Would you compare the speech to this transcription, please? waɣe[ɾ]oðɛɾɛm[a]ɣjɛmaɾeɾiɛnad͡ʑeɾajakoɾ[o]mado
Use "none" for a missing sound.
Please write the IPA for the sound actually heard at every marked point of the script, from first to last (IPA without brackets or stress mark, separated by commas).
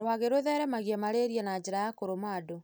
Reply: ɾ, a, o